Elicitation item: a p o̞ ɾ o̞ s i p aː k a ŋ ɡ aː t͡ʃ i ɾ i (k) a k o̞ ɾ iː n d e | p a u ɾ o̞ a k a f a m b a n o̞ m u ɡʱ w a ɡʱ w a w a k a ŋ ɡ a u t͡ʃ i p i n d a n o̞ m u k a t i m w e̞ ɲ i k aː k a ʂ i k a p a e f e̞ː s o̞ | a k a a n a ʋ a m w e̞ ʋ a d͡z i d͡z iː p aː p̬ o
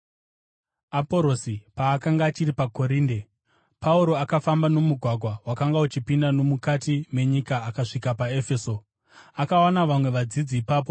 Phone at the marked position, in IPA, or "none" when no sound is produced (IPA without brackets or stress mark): p